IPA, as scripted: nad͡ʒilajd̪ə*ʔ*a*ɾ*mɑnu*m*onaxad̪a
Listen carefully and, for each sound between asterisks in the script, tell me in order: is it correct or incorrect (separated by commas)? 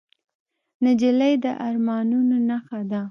correct, correct, incorrect